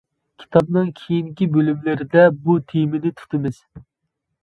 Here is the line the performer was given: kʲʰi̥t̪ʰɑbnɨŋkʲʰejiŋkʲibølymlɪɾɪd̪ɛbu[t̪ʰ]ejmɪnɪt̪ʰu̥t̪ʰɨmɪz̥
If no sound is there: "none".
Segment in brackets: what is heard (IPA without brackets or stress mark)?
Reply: t̪ʰ